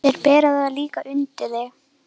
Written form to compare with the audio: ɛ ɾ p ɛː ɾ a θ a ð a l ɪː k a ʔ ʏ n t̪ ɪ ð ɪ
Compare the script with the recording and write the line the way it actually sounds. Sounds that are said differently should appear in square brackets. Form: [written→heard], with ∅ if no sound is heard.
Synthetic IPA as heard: ɛ ɾ p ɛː ɾ a [θ→ð] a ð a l [ɪː→iː] k a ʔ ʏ n t̪ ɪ ð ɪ